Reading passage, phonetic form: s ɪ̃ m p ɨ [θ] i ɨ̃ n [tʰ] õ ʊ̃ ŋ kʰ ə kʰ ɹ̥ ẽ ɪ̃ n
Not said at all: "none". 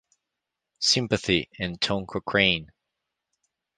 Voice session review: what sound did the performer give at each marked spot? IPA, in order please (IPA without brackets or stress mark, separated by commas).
θ, tʰ